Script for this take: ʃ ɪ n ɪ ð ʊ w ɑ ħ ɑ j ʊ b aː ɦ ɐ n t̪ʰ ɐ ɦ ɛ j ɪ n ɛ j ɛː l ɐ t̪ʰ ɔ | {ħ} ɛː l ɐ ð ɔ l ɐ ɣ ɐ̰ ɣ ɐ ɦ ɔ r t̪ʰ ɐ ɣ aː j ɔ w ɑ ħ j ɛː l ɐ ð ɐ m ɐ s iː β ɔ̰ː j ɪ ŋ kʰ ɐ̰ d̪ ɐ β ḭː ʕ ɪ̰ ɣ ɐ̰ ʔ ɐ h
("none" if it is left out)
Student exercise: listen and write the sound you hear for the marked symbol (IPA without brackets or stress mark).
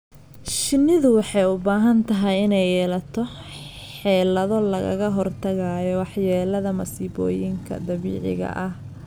ħ